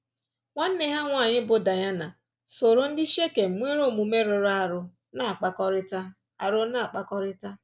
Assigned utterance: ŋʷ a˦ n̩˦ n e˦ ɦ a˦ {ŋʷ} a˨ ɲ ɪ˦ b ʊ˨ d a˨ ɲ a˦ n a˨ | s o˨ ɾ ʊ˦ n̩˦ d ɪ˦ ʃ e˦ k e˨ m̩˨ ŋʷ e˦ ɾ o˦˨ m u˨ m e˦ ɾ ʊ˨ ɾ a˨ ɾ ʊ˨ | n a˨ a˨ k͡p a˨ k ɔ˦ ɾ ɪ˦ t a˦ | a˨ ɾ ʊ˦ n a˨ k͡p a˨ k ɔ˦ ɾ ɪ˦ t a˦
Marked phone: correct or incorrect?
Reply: correct